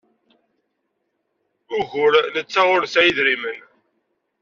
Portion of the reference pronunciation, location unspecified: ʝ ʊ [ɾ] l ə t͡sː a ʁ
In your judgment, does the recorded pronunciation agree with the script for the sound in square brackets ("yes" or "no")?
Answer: yes